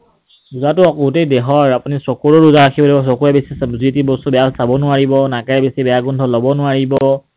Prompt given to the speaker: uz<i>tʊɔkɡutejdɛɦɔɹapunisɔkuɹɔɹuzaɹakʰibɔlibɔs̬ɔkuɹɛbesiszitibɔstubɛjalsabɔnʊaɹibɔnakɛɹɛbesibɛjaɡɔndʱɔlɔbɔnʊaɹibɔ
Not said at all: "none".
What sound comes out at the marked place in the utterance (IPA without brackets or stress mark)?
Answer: a